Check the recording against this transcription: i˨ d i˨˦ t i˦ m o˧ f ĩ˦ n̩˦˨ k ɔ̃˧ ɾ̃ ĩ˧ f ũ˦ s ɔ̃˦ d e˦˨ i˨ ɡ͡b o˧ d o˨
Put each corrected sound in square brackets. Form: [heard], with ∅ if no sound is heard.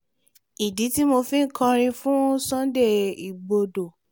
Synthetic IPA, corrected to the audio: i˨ d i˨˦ t i˦ m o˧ f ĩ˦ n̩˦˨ k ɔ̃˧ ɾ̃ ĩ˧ f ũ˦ s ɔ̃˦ d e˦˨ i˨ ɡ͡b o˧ d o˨